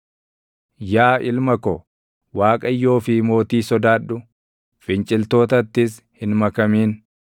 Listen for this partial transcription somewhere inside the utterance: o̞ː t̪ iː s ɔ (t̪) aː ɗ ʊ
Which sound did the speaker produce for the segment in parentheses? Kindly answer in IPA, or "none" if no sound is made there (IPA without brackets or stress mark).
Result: d̪